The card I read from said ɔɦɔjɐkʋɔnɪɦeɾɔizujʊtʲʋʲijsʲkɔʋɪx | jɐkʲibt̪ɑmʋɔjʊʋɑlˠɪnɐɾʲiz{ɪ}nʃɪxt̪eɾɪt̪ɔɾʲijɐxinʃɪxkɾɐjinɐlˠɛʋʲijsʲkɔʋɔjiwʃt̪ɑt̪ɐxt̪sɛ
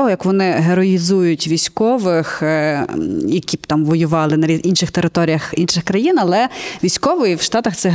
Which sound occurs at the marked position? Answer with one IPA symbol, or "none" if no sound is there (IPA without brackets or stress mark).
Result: i